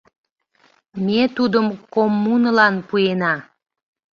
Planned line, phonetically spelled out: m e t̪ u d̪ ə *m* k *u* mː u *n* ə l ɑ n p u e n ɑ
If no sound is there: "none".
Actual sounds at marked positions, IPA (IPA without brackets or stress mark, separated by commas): m, o, n